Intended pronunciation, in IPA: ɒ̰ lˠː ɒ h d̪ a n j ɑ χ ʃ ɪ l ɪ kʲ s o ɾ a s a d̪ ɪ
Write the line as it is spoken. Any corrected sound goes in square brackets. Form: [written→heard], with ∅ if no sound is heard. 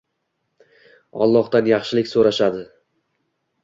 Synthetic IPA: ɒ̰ lˠː ɒ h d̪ a n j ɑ χ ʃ ɪ l ɪ kʲ s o ɾ a [s→ʃ] a d̪ ɪ